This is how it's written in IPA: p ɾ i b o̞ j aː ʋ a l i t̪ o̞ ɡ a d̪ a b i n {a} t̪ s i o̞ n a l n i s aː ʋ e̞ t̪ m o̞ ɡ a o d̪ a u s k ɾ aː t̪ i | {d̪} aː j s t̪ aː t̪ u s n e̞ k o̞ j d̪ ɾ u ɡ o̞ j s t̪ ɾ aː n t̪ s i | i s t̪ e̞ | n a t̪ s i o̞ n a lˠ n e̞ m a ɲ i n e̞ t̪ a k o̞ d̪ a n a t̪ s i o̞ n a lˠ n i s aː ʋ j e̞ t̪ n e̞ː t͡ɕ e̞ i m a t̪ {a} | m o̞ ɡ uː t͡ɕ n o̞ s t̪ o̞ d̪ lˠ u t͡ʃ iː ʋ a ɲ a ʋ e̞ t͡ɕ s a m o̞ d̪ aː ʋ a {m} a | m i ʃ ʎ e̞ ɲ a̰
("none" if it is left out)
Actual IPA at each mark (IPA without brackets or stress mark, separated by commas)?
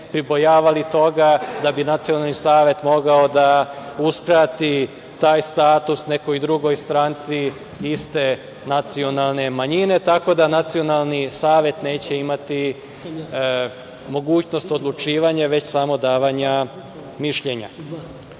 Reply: a, t̪, i, ɲ